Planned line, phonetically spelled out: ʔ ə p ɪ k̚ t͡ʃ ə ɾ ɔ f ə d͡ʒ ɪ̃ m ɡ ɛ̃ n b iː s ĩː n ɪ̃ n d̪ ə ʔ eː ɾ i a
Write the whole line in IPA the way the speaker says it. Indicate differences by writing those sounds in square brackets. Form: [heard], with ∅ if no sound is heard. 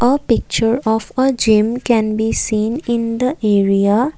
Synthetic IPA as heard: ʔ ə p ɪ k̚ t͡ʃ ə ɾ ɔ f ə d͡ʒ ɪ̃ m [k] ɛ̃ n b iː s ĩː n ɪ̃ n d̪ ə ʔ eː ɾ i a